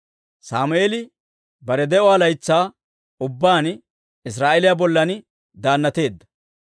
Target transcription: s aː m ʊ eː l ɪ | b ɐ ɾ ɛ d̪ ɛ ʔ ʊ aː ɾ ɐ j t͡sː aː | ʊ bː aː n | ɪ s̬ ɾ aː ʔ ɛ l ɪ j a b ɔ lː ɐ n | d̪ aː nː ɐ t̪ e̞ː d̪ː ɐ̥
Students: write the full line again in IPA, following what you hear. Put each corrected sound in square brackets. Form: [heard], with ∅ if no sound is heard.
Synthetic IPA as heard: s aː m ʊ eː l ɪ | b ɐ ɾ ɛ d̪ ɛ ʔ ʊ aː [l] ɐ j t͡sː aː | ʊ bː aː n | ɪ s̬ ɾ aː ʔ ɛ l ɪ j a b ɔ lː ɐ n | d̪ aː nː ɐ t̪ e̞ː d̪ː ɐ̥